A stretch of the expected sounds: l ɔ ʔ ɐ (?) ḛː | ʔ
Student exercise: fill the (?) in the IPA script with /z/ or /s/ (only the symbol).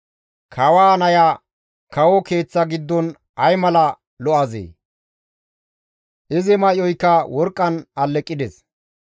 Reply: z